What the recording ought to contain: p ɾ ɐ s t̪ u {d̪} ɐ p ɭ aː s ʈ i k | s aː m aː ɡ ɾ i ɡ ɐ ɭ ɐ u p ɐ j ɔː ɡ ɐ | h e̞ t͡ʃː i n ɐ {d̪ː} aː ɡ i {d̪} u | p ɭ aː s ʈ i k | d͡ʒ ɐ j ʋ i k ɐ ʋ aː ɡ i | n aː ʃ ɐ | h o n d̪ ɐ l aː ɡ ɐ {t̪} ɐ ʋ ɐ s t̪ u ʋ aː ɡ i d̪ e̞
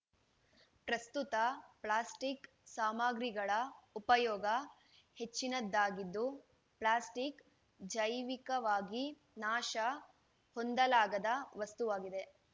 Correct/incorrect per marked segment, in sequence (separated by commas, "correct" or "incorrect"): incorrect, correct, incorrect, incorrect